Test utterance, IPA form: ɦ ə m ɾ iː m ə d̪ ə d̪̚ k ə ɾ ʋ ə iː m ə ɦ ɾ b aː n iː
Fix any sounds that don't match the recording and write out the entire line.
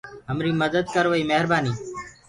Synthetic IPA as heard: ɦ ə m ɾ iː m ə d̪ ə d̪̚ k ə ɾ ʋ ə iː m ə ɦ ɾ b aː n iː